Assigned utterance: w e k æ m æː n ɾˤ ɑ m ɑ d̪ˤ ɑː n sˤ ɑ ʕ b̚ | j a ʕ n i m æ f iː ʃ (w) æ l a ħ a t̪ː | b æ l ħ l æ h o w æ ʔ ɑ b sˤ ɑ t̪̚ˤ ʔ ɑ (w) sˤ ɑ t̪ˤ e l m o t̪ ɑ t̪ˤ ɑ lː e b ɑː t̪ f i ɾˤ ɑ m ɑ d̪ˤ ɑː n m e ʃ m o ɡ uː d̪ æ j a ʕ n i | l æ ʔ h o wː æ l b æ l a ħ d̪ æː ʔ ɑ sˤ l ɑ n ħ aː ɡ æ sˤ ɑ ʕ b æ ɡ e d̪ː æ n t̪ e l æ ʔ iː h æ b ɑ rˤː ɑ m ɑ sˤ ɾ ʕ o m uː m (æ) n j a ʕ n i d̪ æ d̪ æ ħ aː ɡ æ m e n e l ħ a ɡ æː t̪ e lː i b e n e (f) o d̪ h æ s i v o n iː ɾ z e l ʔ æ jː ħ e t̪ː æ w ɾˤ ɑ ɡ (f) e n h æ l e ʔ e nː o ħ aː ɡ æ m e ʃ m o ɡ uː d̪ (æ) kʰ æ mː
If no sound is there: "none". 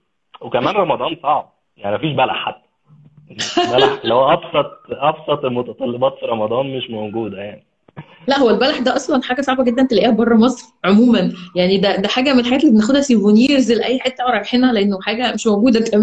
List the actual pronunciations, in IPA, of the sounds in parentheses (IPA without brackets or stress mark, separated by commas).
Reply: b, b, æ, x, ħ, æ